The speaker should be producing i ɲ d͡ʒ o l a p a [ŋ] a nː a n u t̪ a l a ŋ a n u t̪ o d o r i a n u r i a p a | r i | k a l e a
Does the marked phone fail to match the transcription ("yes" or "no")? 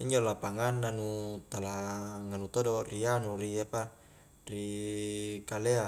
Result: no